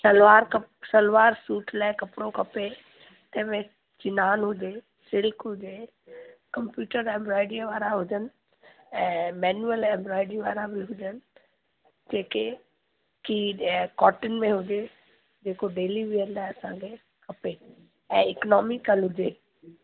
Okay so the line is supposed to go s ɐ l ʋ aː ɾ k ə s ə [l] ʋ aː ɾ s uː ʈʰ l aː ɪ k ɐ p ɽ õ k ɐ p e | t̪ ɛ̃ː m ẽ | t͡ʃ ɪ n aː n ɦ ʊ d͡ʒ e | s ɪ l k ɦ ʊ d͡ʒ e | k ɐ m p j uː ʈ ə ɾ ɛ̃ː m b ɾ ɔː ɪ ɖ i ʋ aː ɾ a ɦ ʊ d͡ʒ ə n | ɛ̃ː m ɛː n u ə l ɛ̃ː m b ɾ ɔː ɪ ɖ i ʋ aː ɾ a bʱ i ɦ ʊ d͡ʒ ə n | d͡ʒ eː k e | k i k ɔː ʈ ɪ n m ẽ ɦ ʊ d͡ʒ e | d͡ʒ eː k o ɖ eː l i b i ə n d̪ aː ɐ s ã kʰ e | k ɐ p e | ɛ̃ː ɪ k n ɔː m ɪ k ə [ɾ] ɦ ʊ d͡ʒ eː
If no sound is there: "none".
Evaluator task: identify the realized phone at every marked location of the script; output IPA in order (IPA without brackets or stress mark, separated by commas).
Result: l, l